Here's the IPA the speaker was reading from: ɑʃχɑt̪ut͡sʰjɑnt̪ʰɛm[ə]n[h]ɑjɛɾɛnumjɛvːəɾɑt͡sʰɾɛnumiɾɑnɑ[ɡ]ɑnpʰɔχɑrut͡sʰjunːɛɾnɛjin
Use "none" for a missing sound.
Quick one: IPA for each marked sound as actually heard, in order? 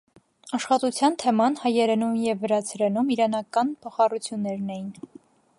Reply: ɑ, h, k

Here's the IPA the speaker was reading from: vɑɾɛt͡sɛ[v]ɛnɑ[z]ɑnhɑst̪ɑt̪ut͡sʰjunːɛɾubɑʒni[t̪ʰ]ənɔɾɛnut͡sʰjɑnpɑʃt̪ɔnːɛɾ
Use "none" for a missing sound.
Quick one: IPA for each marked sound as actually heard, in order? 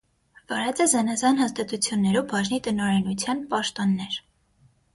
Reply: z, z, t̪

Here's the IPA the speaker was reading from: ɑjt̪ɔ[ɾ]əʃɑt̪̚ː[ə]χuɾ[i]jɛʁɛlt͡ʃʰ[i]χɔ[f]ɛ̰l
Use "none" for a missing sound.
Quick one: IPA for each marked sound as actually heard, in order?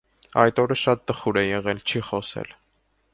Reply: ɾ, ə, ɛ, i, s

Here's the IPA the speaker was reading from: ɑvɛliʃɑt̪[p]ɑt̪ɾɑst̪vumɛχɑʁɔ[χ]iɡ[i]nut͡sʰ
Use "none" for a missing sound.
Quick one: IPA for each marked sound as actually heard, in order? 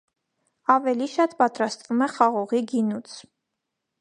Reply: p, ʁ, i

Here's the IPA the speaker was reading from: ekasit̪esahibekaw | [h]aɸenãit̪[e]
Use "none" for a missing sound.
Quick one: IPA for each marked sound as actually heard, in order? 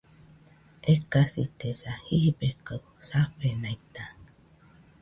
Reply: s, a

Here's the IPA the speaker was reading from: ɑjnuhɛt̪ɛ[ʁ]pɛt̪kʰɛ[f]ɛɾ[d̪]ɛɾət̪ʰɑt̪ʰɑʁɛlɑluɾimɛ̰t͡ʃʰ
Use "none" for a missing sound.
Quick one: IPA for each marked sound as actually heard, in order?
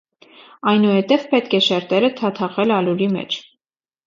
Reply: v, ʃ, t̪

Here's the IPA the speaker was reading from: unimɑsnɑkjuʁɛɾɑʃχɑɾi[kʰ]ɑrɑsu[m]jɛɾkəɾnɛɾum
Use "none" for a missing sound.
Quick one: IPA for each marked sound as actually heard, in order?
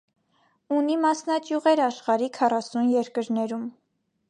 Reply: kʰ, n

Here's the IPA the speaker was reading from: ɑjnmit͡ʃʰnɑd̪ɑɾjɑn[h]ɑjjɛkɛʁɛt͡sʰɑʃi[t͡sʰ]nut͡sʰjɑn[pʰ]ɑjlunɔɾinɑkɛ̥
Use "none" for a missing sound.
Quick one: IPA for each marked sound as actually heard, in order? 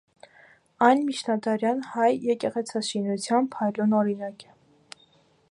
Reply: h, none, pʰ

